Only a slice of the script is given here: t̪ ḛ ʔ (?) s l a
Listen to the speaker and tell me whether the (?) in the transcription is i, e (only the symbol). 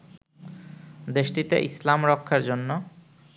i